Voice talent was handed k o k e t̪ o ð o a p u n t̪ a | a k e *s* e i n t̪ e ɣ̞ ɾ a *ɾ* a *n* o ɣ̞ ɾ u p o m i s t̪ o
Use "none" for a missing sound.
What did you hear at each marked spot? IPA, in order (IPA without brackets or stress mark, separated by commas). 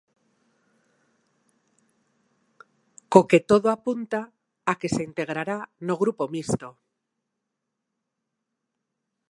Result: s, ɾ, n